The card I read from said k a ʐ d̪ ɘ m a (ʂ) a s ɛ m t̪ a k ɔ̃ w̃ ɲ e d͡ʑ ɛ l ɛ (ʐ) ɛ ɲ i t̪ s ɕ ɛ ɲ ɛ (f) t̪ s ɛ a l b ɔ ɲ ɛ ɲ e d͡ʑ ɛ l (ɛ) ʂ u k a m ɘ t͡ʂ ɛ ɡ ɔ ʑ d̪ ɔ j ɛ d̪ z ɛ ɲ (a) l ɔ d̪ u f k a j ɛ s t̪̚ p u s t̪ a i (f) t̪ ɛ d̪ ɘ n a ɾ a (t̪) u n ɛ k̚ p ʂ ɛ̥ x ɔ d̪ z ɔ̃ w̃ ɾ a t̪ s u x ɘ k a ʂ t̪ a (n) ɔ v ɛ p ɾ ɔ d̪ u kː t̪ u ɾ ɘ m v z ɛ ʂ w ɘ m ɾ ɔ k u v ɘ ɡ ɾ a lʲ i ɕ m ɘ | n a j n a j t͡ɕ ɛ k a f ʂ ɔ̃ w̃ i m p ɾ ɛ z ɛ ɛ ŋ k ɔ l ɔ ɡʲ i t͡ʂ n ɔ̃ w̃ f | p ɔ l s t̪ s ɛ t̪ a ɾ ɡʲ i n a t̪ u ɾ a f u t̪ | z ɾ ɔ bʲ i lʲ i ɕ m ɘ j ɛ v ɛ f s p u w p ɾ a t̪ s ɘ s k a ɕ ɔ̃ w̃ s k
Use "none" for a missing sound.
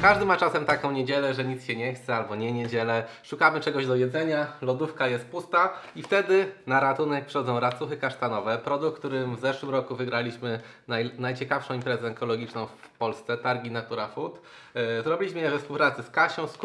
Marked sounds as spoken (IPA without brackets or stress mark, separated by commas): t͡ʂ, ʐ, x, ɛ, a, f, t̪, n